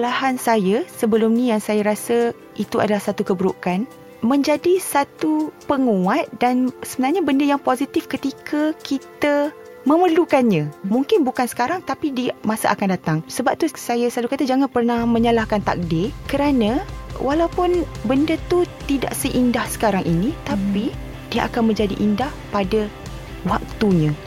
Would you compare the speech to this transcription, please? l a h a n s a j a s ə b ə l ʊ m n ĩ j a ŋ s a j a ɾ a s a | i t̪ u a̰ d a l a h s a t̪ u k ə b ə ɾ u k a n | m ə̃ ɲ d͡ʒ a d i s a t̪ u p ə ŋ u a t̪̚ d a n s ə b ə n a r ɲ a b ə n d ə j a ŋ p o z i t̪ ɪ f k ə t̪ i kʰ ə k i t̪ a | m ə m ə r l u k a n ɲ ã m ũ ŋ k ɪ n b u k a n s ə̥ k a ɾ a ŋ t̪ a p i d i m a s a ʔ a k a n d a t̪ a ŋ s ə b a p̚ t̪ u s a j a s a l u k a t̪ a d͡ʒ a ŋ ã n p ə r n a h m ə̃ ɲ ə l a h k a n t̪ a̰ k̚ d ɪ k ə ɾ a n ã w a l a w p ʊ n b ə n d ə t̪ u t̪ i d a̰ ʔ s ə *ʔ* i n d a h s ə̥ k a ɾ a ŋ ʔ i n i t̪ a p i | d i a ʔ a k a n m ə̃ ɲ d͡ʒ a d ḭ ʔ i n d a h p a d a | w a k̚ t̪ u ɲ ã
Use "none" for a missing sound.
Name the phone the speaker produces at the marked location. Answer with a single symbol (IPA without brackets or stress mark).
ʔ